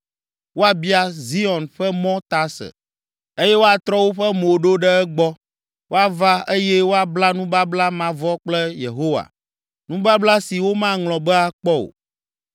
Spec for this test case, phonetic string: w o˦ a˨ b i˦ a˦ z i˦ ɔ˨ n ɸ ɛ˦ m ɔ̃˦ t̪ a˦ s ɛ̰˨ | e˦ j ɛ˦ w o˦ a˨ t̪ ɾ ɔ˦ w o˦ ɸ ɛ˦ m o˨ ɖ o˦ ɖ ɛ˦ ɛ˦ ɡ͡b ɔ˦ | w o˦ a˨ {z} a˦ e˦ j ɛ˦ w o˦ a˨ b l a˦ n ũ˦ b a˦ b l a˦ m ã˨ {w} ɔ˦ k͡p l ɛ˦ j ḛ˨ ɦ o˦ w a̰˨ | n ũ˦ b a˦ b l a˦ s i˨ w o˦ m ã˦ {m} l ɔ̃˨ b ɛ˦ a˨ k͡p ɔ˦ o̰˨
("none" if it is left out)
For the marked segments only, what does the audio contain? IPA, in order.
v, v, ŋ

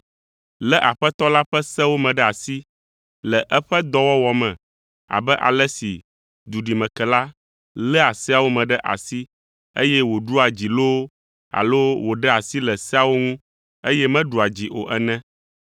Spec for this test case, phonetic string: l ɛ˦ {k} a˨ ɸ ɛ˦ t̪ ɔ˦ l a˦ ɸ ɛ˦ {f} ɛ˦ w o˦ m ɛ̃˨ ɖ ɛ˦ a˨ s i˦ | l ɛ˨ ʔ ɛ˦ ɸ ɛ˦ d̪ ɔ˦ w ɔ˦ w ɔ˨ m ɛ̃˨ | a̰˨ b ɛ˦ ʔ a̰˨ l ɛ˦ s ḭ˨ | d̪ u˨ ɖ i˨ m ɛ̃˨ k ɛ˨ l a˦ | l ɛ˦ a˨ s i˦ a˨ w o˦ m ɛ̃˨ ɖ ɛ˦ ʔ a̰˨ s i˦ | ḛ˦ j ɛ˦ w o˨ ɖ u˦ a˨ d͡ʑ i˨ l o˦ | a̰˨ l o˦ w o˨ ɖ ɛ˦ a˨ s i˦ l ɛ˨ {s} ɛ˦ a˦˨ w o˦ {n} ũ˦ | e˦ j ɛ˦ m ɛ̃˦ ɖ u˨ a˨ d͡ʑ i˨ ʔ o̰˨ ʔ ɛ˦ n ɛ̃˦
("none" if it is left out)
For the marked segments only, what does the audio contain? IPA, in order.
ʔ, s, s, ŋ

